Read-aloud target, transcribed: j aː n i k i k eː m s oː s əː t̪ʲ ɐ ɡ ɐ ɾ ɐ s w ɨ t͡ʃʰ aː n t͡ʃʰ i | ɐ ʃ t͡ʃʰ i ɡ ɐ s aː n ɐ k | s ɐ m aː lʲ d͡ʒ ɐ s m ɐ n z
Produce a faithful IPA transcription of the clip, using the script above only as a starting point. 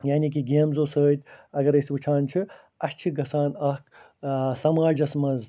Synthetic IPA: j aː n i k i ɡ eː m z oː s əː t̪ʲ ɐ ɡ ɐ ɾ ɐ s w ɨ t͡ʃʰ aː n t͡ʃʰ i | ɐ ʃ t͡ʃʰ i ɡ ɐ s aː n ɐ k | s ɐ m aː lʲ d͡ʒ ɐ s m ɐ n z